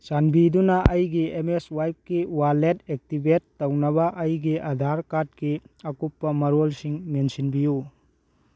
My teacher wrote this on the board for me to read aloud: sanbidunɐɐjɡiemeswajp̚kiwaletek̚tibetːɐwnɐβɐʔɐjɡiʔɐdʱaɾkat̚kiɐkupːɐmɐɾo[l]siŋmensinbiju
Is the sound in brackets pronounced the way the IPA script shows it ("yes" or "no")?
yes